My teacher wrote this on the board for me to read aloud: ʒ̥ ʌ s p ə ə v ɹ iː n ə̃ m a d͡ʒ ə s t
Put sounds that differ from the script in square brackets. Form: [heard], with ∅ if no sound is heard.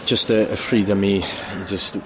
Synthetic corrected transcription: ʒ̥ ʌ s [t] ə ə [f] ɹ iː [d] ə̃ m [i] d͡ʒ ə s t